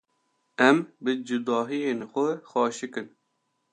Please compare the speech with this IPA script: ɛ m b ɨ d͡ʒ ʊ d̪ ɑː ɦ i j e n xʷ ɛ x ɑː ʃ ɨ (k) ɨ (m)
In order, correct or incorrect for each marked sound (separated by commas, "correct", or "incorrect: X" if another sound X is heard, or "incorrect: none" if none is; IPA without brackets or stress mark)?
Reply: correct, incorrect: n